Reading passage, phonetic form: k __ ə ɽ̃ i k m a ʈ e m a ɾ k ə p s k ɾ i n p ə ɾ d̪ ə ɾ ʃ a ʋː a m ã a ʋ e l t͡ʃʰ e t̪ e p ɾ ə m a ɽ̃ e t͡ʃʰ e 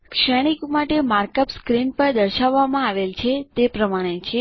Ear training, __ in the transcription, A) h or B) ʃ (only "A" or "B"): B